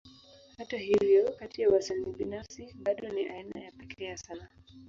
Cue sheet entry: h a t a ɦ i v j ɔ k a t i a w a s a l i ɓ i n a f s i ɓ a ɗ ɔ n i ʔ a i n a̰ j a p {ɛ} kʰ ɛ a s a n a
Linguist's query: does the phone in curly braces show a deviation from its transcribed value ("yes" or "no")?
no